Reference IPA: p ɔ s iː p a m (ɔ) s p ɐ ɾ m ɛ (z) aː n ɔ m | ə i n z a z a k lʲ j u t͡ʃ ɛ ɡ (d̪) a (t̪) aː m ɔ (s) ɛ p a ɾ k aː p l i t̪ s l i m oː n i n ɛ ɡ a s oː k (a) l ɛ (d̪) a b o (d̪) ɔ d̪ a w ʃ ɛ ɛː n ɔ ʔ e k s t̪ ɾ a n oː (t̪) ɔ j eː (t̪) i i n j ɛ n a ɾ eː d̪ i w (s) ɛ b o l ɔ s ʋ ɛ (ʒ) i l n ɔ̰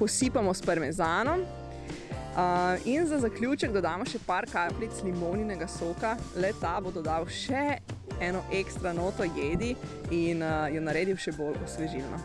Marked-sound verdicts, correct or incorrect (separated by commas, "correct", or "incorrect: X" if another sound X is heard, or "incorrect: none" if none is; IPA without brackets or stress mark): correct, correct, correct, incorrect: d̪, incorrect: ʃ, correct, incorrect: t̪, correct, correct, incorrect: d̪, incorrect: ʃ, correct